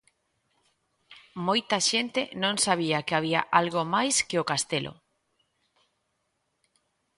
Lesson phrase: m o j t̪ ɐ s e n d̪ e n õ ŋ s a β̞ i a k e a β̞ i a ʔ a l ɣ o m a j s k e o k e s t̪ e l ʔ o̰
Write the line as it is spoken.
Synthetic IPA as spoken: m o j t̪ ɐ ʃ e n t̪ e n õ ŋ s a β̞ i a k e a β̞ i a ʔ a l ɣ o m a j s k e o k a s t̪ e l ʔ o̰